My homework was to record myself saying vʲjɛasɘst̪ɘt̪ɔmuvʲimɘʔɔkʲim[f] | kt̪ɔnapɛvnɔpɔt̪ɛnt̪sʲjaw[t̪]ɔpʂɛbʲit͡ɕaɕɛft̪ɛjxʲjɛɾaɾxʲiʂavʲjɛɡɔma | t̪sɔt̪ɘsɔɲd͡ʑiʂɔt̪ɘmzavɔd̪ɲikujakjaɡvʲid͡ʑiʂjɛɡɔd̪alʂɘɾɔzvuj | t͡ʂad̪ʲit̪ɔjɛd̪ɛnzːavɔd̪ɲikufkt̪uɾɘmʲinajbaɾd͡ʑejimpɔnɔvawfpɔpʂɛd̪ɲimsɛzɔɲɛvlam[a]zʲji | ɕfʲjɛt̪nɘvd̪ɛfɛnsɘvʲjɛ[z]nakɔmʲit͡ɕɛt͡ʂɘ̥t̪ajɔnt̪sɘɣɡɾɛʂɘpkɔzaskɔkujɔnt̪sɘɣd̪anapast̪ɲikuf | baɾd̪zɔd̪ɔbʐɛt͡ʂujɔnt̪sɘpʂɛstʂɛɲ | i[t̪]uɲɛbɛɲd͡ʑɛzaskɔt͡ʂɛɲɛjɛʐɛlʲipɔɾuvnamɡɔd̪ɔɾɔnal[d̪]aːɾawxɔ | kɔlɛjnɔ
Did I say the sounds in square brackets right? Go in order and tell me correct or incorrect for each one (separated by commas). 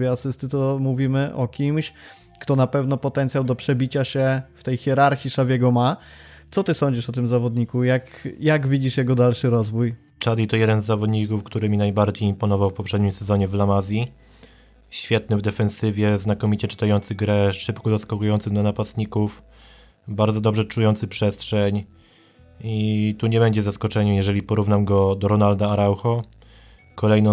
incorrect, incorrect, correct, correct, correct, correct